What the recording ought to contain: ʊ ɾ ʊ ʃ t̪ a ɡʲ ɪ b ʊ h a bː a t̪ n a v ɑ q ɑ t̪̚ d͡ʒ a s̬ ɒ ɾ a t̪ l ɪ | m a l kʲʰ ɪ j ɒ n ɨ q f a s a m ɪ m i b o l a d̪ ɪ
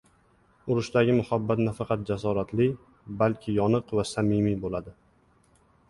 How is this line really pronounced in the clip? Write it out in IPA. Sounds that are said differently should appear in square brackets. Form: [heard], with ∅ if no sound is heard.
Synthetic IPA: ʊ ɾ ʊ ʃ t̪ a ɡʲ ɪ [m] ʊ h a bː a t̪ n a [f] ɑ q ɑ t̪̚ d͡ʒ a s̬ ɒ ɾ a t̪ l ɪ | [b] a l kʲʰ ɪ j ɒ n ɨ q [v] a s a m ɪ m i b o l a d̪ ɪ